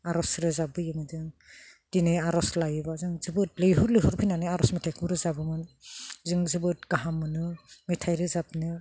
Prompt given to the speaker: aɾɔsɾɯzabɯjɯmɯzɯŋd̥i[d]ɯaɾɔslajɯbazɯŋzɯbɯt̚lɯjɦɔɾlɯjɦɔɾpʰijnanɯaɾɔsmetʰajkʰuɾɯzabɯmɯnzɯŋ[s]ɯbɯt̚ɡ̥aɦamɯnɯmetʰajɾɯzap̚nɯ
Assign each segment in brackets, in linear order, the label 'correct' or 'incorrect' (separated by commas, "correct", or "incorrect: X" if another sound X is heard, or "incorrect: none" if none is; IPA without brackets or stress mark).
incorrect: n, incorrect: z